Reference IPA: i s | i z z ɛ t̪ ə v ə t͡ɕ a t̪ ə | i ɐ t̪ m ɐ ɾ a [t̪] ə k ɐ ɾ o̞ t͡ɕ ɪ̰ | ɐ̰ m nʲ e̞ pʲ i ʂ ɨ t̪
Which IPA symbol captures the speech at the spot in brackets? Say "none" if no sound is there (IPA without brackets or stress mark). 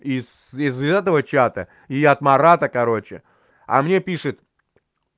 t̪